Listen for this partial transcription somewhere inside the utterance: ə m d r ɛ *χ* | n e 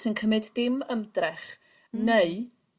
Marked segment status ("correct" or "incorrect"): correct